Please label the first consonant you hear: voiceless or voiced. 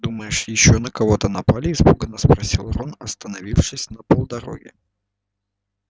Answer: voiced